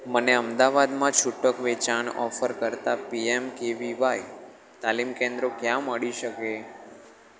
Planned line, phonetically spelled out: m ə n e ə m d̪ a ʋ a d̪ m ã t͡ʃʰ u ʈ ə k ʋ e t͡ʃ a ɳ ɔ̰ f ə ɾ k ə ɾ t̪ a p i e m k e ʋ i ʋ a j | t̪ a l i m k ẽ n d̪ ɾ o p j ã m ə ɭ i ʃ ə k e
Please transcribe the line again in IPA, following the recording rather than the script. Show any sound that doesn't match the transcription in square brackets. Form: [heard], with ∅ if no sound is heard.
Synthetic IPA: m ə n e ə m d̪ a ʋ a d̪ m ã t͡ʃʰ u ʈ ə k ʋ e t͡ʃ a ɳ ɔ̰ f ə ɾ k ə ɾ t̪ a p i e m k e ʋ i ʋ a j | t̪ a l i m k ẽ n d̪ ɾ o [k] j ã m ə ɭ i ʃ ə k e